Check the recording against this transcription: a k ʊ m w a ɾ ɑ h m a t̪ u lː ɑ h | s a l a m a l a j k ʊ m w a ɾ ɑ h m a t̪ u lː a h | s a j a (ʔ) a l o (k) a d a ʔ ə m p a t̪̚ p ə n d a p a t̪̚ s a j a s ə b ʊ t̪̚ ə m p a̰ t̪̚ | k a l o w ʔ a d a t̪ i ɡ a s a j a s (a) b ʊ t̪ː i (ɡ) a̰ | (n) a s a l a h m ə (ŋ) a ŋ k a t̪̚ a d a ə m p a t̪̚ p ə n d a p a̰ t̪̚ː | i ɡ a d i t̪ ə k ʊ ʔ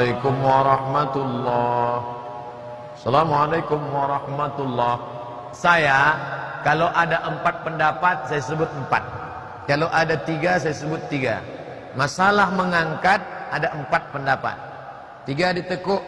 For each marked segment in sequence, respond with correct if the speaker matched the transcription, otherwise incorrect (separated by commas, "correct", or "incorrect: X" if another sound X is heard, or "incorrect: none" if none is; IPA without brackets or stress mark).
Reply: incorrect: k, incorrect: ʔ, incorrect: ə, correct, incorrect: m, correct